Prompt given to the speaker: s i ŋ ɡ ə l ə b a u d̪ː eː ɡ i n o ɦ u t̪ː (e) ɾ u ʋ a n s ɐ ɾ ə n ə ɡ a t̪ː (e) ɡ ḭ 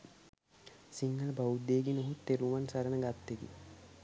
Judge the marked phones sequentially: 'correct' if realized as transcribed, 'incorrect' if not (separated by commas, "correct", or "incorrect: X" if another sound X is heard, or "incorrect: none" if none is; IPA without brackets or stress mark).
correct, correct